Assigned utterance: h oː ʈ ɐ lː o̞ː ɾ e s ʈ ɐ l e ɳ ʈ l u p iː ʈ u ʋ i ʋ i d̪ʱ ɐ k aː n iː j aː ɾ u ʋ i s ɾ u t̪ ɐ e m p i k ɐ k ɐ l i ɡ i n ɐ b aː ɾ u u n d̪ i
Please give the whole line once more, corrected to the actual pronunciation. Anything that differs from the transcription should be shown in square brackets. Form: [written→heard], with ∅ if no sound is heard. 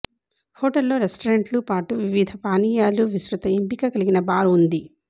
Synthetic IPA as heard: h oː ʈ ɐ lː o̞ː ɾ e s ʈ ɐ [l→ɾ] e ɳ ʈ l u p [iː→aː] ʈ u ʋ i ʋ i d̪ʱ ɐ [k→p] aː n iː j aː [ɾ→l] u ʋ i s ɾ u t̪ ɐ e m p i k ɐ k ɐ l i ɡ i n ɐ b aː ɾ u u n d̪ i